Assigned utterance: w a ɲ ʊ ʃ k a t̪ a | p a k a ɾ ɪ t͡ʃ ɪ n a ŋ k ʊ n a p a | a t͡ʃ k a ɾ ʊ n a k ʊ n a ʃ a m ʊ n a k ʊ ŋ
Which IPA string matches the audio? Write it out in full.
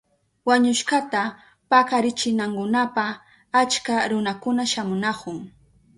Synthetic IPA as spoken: w a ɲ ʊ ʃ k a t̪ a | p a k a ɾ ɪ t͡ʃ ɪ n a ŋ k ʊ n a p a | a t͡ʃ k a ɾ ʊ n a k ʊ n a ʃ a m ʊ n a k ʊ ŋ